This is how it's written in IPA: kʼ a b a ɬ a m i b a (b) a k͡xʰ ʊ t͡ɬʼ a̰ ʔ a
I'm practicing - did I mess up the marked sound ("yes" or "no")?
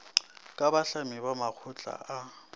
yes